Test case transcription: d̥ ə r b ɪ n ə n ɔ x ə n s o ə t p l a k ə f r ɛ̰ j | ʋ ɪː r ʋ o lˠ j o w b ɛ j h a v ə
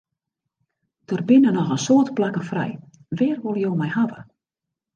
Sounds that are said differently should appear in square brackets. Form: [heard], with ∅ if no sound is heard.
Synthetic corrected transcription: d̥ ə r b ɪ n ə n ɔ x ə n s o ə t p l a k ə f r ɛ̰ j | ʋ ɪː r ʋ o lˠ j o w [m] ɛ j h a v ə